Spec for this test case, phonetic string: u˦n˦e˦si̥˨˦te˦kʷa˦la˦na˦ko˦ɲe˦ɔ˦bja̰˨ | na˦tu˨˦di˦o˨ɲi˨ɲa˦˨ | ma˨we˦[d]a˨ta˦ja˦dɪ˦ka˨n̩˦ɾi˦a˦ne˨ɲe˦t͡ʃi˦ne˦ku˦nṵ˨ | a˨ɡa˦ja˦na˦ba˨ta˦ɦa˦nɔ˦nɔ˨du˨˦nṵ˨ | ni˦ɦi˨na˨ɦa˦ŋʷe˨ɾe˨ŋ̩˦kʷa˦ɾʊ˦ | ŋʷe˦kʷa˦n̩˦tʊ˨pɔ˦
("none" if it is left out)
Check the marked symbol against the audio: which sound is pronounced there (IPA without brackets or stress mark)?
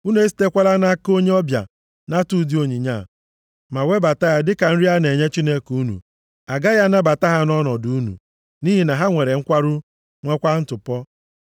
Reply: b